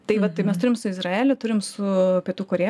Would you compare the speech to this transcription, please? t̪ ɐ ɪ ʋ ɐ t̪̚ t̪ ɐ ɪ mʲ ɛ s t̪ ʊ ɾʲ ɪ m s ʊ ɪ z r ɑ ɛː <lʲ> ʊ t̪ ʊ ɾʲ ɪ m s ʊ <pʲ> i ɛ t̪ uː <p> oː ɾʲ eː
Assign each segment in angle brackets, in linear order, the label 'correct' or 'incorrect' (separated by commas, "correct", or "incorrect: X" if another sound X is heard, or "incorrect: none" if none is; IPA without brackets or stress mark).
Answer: correct, correct, incorrect: k